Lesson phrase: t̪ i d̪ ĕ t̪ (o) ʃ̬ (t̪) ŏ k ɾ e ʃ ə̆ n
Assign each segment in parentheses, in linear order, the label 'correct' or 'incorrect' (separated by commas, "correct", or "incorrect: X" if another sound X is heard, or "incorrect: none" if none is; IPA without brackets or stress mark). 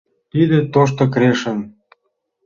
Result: correct, correct